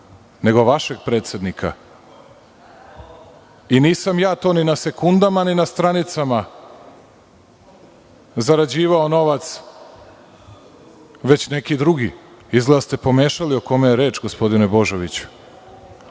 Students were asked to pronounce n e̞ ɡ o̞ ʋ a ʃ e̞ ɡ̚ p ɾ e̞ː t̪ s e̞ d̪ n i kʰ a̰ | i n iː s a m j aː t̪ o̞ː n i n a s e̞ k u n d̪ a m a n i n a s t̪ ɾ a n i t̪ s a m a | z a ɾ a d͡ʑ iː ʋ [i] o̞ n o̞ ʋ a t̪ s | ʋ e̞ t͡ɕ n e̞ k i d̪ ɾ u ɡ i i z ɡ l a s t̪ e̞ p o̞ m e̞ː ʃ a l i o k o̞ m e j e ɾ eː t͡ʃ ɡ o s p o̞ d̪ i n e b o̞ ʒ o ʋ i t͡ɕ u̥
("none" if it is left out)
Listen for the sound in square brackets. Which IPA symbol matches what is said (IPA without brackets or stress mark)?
a